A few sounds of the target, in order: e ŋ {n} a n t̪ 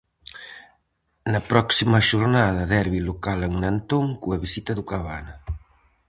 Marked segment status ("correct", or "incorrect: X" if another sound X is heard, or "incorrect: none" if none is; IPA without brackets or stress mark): correct